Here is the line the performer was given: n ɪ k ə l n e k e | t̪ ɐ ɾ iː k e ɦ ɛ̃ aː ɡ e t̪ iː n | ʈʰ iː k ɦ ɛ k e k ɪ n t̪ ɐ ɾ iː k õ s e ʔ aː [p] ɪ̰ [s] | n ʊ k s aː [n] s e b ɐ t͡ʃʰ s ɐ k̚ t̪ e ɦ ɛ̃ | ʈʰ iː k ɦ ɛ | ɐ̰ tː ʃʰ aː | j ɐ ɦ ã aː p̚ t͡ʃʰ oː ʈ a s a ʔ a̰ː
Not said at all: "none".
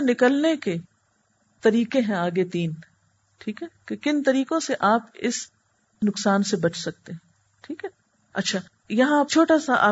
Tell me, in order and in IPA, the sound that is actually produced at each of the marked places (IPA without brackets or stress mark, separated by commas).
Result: p, s, n